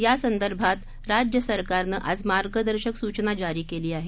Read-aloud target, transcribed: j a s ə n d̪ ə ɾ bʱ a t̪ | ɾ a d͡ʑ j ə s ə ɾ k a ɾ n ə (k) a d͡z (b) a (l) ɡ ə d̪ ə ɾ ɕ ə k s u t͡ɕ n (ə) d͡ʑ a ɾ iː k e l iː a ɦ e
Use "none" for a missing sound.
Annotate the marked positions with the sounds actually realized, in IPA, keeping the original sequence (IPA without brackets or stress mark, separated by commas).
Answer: ʔ, m, ɾ, a